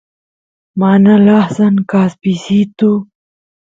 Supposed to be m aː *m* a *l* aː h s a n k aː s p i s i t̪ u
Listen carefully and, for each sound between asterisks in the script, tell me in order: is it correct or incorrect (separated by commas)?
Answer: incorrect, correct